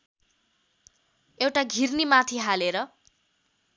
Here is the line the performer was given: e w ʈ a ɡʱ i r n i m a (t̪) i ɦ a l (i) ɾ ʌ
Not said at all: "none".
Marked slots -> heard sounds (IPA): t̪ʰ, e

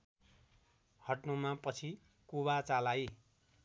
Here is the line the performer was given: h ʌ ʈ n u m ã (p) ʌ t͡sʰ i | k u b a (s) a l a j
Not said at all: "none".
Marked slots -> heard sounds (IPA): p, t͡s

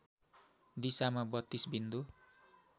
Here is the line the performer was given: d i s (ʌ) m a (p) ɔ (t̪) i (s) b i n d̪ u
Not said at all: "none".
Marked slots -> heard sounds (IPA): a, b, t̪, s

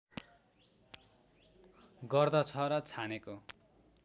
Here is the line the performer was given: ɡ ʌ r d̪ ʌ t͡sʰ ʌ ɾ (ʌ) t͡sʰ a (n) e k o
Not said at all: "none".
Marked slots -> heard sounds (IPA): ʌ, n

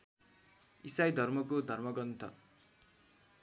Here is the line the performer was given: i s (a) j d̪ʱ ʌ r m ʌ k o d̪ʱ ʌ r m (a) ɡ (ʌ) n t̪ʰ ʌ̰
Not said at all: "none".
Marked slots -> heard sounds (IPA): a, ʌ, ʌ

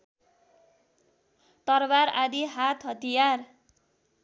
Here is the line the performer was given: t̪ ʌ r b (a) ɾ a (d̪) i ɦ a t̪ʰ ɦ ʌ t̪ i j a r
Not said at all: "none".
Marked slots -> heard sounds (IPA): a, d̪

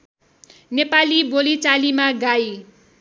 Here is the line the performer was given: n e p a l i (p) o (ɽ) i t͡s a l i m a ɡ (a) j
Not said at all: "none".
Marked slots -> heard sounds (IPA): b, l, a

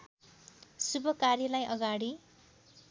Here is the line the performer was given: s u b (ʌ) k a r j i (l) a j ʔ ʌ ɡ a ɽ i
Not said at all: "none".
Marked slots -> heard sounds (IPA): ʌ, l

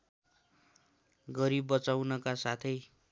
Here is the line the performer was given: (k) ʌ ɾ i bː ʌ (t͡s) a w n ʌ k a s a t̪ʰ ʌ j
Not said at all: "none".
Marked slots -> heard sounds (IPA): ɡ, t͡s

